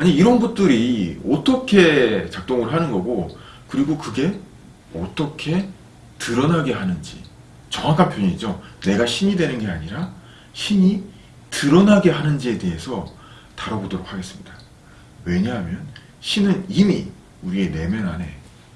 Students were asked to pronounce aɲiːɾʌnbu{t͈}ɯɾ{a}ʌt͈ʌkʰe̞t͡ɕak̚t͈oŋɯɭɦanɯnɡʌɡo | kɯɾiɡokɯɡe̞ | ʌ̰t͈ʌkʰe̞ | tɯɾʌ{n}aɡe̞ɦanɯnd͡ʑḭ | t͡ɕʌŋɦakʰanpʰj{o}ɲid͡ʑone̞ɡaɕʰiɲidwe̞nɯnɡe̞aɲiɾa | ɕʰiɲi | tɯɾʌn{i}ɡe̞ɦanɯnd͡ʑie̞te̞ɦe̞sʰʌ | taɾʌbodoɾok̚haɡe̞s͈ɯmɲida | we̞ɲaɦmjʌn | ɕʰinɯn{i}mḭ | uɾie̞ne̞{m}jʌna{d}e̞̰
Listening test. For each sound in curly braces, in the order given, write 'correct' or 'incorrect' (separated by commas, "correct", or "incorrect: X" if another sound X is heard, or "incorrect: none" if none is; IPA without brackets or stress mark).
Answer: correct, incorrect: i, correct, correct, incorrect: a, correct, correct, incorrect: n